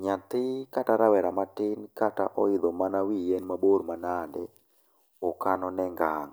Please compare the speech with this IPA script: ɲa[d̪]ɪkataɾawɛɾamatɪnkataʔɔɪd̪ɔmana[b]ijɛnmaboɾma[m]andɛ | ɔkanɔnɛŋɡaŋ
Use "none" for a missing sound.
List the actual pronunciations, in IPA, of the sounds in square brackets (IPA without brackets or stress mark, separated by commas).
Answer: t̪, w, n